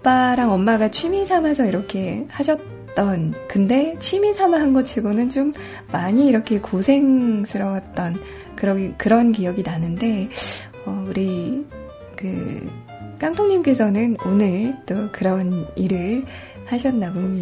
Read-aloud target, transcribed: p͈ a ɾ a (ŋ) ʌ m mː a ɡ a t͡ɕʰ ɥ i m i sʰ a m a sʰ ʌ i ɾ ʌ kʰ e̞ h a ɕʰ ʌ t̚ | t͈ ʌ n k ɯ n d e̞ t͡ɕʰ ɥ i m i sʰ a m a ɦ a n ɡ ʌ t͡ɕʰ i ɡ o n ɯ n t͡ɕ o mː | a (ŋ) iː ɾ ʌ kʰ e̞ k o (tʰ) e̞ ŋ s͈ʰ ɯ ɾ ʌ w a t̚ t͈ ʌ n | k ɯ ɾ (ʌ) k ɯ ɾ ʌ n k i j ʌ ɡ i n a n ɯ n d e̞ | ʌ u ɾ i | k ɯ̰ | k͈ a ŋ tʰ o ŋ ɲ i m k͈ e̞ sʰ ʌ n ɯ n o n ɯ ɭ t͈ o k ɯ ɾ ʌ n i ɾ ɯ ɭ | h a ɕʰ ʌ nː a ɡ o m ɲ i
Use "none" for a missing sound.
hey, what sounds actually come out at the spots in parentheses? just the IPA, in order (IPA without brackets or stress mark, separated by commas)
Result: ŋ, ɲ, sʰ, ʌ